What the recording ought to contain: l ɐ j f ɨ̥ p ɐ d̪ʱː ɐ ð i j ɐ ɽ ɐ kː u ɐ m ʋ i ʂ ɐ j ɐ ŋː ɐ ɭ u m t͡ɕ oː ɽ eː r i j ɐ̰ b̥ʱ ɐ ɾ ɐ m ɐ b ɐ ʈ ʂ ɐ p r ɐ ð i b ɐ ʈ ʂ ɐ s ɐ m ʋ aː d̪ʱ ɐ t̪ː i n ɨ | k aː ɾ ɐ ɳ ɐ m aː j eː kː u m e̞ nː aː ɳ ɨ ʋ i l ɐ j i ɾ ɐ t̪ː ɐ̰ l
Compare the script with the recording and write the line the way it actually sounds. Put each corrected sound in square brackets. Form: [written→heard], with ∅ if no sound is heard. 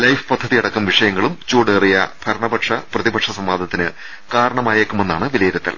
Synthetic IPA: l ɐ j f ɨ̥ p ɐ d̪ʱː ɐ ð i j ɐ ɽ ɐ kː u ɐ m ʋ i ʂ ɐ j ɐ ŋː ɐ ɭ u m t͡ɕ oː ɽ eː r i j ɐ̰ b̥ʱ ɐ ɾ ɐ [m→ɳ] ɐ b ɐ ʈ ʂ ɐ p r ɐ ð i b ɐ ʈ ʂ ɐ s ɐ m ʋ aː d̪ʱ ɐ t̪ː i n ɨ | k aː ɾ ɐ ɳ ɐ m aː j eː kː u m e̞ nː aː ɳ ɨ ʋ i l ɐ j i ɾ ɐ t̪ː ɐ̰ l